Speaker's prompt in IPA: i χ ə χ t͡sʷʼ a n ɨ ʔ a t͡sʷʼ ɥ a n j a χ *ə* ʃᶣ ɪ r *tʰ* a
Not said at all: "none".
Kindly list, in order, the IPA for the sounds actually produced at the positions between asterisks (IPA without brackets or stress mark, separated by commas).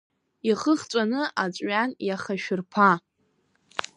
a, pʰ